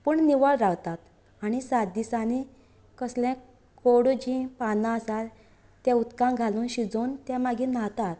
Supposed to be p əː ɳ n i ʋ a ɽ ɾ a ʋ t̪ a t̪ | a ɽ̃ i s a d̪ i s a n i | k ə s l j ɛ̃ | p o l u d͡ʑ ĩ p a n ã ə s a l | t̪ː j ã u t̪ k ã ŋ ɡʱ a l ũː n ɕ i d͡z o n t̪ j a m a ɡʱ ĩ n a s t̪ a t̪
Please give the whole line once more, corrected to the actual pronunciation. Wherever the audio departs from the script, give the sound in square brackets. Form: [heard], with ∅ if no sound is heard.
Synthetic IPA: p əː ɳ n i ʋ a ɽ ɾ a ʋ t̪ a t̪ | a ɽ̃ i s a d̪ i s a n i | k ə s l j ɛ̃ | [k] o [ɽ] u d͡ʑ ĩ p a n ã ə s a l | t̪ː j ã u t̪ k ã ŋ ɡʱ a l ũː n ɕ i d͡z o n t̪ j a m a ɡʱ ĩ n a [∅] t̪ a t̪